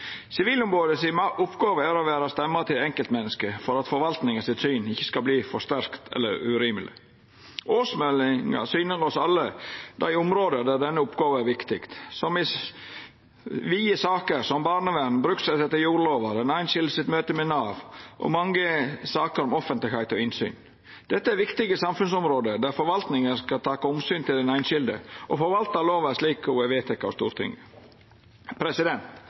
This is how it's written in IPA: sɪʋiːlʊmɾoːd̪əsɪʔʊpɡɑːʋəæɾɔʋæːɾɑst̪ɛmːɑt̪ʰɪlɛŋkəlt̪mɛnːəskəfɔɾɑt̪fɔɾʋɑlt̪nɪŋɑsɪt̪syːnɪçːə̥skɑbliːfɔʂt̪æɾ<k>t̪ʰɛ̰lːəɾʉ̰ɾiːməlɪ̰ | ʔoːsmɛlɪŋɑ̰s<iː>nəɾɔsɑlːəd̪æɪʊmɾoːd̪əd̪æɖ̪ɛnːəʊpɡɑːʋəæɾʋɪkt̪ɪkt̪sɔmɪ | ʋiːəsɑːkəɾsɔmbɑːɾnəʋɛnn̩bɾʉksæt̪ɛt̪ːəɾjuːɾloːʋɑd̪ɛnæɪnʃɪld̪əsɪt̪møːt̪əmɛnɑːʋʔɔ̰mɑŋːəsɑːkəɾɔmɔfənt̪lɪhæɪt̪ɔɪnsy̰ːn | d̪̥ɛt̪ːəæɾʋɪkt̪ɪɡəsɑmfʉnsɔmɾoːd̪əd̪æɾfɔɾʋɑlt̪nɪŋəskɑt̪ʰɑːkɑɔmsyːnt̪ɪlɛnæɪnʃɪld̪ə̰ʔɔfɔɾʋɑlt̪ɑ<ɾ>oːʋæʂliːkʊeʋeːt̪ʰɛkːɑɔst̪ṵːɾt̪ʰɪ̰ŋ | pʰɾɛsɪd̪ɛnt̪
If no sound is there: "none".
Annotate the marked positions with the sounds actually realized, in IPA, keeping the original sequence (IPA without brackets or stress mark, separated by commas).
k, yː, l